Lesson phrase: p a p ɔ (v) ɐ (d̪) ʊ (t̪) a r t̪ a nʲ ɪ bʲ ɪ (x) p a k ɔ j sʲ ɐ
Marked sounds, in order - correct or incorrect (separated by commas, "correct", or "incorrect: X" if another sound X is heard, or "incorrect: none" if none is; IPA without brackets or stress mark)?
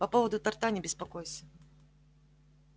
correct, correct, correct, incorrect: s